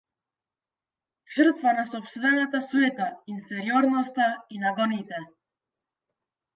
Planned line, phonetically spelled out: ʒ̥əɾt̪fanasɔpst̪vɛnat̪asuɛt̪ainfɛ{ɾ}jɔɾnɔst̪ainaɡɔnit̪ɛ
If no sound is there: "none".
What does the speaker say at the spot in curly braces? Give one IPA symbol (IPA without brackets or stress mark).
ɾ